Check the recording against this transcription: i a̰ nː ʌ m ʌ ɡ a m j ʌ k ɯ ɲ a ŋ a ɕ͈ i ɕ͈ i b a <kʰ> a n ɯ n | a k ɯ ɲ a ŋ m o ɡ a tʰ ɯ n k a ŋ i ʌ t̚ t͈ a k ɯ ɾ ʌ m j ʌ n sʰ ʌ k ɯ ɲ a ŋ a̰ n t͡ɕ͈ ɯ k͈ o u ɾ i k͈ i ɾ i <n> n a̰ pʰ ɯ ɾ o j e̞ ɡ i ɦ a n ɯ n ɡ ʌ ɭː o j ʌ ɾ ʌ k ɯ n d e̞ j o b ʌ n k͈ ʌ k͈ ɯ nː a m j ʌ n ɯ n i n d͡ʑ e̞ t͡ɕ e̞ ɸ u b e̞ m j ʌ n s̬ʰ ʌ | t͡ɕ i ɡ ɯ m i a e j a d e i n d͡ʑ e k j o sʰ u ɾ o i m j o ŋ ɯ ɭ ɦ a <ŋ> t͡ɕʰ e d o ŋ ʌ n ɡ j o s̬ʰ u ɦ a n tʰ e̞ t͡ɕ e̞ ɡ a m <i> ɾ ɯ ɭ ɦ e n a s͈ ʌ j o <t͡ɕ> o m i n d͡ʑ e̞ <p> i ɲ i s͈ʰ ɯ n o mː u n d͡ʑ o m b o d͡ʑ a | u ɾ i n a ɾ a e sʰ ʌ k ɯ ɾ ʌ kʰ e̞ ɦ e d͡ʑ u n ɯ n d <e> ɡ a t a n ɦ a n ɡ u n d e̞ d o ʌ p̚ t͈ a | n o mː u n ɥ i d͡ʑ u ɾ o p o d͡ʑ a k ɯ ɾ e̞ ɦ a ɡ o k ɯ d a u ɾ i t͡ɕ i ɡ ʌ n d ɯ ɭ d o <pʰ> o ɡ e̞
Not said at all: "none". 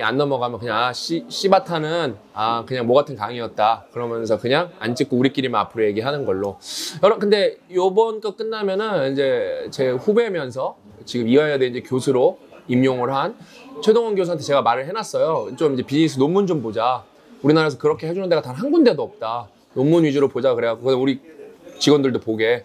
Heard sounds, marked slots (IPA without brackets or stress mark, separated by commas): tʰ, m, n, a, t͡ɕ, p, e, p